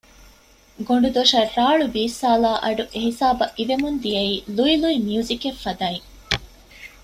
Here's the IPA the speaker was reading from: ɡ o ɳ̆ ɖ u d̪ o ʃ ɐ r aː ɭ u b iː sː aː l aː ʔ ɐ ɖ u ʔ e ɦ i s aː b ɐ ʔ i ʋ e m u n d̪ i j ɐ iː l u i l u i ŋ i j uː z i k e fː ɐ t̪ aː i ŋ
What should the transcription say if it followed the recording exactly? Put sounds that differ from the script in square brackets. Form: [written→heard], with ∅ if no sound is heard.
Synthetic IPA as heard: ɡ o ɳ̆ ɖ u d̪ o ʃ ɐ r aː ɭ u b iː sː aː l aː ʔ ɐ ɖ u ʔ e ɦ i s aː b ɐ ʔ i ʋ e m u n d̪ i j ɐ iː l u i l u i [ŋ→m] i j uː z i k e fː ɐ [t̪→d̪] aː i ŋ

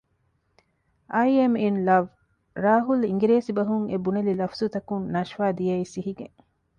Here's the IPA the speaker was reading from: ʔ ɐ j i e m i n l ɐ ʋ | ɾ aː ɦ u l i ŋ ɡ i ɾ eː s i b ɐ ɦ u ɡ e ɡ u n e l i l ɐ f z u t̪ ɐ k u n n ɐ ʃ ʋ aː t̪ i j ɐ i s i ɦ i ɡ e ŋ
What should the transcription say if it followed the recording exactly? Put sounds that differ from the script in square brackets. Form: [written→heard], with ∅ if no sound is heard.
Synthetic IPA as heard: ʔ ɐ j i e m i n l ɐ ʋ | ɾ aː ɦ u l i ŋ ɡ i ɾ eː s i b ɐ ɦ u [ɡ→ŋ] e [ɡ→b] u n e l i l ɐ f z u t̪ ɐ k u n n ɐ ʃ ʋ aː [t̪→d̪] i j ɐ i s i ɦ i ɡ e ŋ

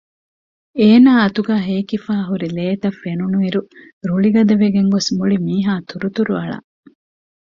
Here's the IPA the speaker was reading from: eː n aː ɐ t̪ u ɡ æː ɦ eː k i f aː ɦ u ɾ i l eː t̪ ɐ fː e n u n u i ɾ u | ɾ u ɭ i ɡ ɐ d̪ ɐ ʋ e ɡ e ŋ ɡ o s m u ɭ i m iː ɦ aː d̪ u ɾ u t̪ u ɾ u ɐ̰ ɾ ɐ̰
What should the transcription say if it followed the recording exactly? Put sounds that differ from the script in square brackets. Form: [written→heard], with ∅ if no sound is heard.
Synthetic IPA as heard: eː n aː ɐ t̪ u ɡ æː ɦ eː k i f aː ɦ u ɾ i l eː t̪ ɐ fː e n u n u i ɾ u | ɾ u ɭ i ɡ ɐ d̪ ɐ ʋ e ɡ e ŋ ɡ o s m u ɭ i m iː ɦ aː [d̪→t̪] u ɾ u t̪ u ɾ u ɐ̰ [ɾ→ɭ] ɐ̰

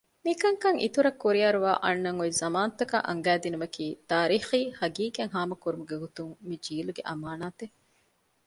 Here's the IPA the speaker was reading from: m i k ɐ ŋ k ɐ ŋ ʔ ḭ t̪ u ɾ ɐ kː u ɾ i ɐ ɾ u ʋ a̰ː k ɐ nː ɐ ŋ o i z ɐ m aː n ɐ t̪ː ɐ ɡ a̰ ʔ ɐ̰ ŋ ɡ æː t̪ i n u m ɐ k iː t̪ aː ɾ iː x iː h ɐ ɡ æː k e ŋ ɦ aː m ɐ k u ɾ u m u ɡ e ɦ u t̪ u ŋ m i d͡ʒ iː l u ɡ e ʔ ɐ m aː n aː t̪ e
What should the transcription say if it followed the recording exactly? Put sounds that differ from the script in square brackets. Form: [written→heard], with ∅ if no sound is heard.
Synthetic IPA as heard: m i k ɐ ŋ k ɐ ŋ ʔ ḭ t̪ u ɾ ɐ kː u ɾ i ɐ ɾ u ʋ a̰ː [k→ʔ] ɐ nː ɐ ŋ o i z ɐ m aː n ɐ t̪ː ɐ [ɡ→k] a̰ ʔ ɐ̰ ŋ ɡ æː [t̪→d̪] i n u m ɐ k iː t̪ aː ɾ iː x iː h ɐ ɡ [æː→iː] k e ŋ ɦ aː m ɐ k u ɾ u m u ɡ e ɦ u t̪ u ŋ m i d͡ʒ iː l u ɡ e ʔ ɐ m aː n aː t̪ e

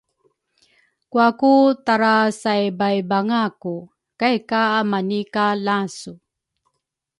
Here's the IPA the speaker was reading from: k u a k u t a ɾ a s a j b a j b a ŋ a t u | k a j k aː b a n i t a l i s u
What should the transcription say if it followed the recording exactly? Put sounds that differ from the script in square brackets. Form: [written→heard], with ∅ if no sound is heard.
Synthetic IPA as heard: k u a k u t a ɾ a s a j b a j b a ŋ a [t→k] u | k a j k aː [b→m] a n i [t→k] a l [i→a] s u

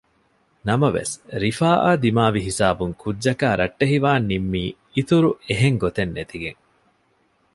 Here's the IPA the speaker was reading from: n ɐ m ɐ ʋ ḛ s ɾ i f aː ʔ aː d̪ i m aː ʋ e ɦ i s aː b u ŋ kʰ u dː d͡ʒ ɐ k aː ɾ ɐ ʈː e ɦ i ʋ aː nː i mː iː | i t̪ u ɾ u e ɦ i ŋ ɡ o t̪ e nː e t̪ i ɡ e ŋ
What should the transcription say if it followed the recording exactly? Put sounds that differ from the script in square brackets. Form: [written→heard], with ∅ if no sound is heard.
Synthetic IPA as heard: n ɐ m ɐ ʋ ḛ s ɾ i f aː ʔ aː d̪ i m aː ʋ [e→i] ɦ i s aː b u ŋ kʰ u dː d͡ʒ ɐ k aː ɾ ɐ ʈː e ɦ i ʋ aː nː i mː iː | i t̪ u ɾ u e ɦ [i→e] ŋ ɡ o t̪ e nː e t̪ i ɡ e ŋ

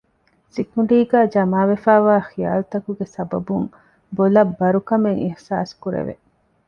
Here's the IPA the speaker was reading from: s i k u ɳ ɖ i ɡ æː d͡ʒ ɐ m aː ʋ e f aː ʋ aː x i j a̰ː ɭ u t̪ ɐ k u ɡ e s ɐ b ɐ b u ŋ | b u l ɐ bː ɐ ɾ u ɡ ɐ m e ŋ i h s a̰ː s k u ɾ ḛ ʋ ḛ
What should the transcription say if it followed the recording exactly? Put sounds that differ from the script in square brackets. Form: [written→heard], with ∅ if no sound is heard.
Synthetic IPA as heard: s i k u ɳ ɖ [i→iː] ɡ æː d͡ʒ ɐ m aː ʋ e f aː ʋ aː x i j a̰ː [ɭ→l] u t̪ ɐ k u ɡ e s ɐ b ɐ b u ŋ | b [u→o] l ɐ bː ɐ ɾ u [ɡ→k] ɐ m e ŋ i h s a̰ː s k u ɾ ḛ ʋ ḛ

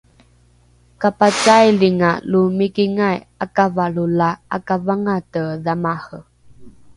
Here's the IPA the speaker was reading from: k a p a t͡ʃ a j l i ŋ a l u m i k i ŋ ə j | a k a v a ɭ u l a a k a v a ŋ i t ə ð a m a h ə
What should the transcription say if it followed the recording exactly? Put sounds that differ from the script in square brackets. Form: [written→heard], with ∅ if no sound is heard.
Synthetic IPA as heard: k a p a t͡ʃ a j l i ŋ a l u m i k i ŋ [ə→a] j | a k a v a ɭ u l a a k a v a ŋ [i→a] t ə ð a m a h ə

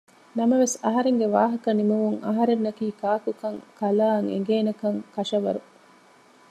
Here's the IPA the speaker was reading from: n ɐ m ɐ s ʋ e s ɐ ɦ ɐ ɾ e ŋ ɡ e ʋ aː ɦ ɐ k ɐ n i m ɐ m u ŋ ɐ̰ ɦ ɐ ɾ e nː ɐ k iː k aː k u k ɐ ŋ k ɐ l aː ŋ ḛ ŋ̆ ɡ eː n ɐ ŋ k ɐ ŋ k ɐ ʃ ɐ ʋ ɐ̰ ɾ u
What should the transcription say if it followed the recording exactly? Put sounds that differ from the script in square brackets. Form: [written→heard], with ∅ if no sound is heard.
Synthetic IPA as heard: n ɐ m ɐ [s→∅] ʋ e s ɐ ɦ ɐ ɾ e ŋ ɡ e ʋ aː ɦ ɐ k ɐ n i m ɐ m u ŋ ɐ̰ ɦ ɐ ɾ e nː ɐ k iː k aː k u k ɐ ŋ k ɐ l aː ŋ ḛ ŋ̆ ɡ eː n ɐ [ŋ→∅] k ɐ ŋ k ɐ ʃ ɐ ʋ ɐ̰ ɾ u

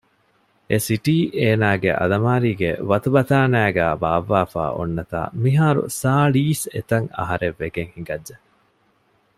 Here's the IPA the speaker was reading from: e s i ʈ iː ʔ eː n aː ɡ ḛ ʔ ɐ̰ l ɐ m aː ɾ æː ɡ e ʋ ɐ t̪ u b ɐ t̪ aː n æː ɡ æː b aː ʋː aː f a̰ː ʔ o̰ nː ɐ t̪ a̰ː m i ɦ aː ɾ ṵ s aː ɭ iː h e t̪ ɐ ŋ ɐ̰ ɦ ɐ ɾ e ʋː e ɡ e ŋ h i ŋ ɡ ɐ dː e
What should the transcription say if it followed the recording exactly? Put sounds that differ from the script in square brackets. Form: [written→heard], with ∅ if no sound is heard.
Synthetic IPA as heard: e s i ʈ iː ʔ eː n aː ɡ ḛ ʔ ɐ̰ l ɐ m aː ɾ [æː→iː] ɡ e ʋ ɐ t̪ u b ɐ t̪ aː n æː ɡ æː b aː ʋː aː f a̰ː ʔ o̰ nː ɐ t̪ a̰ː m i ɦ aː ɾ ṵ s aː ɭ iː [h→s] e t̪ ɐ ŋ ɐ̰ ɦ ɐ ɾ e ʋː e ɡ e ŋ h i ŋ ɡ ɐ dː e

